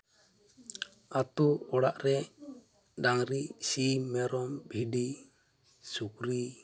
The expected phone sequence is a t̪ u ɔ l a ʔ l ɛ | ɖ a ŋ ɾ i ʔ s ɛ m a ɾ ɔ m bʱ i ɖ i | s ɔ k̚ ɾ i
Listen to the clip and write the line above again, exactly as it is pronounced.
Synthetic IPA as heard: a t̪ u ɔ ɽ a ʔ ɾ ɛ | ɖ a ŋ ɾ i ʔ s i m ɛ ɾ ɔ m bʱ i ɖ i | s u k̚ ɾ i